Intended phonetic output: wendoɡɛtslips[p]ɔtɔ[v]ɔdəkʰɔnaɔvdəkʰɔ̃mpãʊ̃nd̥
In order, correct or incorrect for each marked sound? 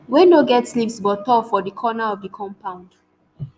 incorrect: b, incorrect: f

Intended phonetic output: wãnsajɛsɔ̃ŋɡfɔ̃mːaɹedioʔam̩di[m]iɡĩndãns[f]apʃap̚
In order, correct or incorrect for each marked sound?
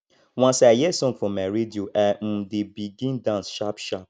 incorrect: b, incorrect: ʃ

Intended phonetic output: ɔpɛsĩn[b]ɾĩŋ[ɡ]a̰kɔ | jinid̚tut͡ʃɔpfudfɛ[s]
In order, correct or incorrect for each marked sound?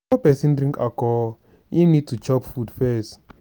incorrect: d, incorrect: k, correct

